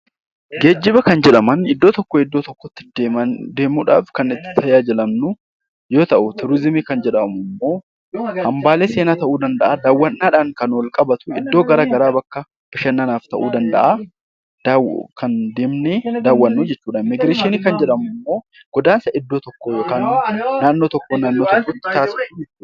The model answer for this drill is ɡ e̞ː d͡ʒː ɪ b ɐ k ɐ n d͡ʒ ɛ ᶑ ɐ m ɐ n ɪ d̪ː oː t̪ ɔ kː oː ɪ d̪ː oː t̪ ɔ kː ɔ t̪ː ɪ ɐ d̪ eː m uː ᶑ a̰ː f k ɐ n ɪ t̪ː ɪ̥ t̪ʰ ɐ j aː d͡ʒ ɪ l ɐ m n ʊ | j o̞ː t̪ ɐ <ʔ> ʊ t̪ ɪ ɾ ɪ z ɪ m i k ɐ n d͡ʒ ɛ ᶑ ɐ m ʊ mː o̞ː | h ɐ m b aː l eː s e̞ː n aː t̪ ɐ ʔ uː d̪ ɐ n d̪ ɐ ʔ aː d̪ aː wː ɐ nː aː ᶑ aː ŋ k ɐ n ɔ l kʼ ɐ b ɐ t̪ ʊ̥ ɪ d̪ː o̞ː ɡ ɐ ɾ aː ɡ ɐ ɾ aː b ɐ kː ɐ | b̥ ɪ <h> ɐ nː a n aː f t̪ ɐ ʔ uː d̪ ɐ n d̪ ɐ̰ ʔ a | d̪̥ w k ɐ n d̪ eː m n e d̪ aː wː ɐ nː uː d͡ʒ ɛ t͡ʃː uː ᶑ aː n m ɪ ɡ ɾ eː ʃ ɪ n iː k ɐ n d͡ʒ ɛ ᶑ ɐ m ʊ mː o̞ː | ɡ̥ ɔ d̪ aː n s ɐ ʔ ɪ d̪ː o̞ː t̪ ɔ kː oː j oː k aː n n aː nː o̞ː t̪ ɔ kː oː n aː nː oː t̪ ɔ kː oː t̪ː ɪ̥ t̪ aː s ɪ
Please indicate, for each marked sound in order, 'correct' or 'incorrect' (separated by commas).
correct, incorrect